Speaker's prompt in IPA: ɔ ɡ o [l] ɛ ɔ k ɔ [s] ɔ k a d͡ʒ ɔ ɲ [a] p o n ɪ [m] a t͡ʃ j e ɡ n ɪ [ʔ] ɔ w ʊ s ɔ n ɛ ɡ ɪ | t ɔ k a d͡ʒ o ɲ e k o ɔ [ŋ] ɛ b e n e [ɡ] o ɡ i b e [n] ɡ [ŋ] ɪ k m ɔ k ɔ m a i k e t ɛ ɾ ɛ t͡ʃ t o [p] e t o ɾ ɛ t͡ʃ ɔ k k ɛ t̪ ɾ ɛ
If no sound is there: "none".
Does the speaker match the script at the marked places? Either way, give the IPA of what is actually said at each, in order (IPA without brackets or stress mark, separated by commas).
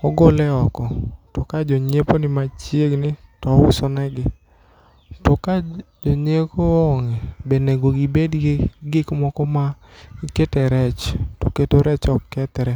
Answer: l, t, e, m, t, ŋ, ɡ, d, ɡ, k